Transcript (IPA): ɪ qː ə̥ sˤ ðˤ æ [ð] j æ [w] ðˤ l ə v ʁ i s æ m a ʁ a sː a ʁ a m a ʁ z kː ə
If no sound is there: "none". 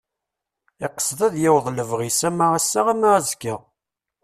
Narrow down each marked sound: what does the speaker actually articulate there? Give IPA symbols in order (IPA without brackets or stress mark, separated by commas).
ð, w